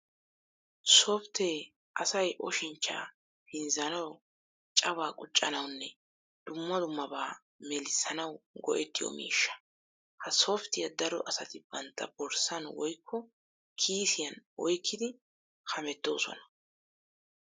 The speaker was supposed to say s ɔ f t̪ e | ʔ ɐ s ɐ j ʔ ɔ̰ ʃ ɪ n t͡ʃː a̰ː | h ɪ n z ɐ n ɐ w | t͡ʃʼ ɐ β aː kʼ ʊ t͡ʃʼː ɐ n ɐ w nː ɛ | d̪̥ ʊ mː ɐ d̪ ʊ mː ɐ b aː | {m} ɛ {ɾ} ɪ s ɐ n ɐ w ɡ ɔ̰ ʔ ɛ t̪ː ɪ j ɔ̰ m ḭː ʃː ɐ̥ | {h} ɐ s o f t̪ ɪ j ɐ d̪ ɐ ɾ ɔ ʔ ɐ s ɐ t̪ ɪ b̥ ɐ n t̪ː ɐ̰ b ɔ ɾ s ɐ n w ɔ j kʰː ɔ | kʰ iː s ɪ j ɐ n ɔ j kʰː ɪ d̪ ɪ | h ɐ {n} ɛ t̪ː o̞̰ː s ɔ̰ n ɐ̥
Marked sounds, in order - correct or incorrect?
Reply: correct, incorrect: l, correct, incorrect: m

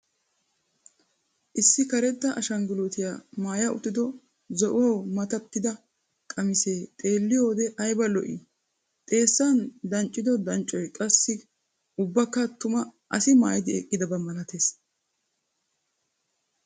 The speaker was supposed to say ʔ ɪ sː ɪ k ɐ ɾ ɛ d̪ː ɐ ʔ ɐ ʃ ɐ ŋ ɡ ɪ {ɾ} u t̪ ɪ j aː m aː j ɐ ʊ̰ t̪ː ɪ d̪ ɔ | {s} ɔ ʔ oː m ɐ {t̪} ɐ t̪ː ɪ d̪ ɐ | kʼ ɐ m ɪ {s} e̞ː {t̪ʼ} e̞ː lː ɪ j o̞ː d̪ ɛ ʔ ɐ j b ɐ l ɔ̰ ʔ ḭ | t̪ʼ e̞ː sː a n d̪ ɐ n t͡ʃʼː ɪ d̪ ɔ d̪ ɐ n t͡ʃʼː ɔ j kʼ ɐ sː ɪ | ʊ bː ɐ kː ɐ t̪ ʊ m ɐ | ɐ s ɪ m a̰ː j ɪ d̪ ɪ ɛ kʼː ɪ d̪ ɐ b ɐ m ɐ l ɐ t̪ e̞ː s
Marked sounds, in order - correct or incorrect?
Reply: incorrect: l, incorrect: z, correct, correct, correct

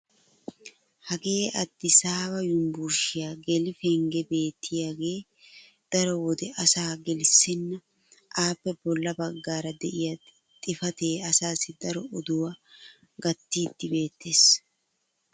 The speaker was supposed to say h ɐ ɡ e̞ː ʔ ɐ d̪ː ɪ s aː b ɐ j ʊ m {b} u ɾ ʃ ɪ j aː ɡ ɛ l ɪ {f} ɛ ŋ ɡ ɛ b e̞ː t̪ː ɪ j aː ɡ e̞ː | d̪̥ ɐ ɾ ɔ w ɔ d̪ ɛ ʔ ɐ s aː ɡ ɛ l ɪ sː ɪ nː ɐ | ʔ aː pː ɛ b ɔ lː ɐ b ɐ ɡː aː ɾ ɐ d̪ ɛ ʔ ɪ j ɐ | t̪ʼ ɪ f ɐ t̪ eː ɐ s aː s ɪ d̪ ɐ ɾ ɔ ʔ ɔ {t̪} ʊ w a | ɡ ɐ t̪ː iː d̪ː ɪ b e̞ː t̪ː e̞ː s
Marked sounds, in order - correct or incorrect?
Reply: correct, correct, incorrect: d̪

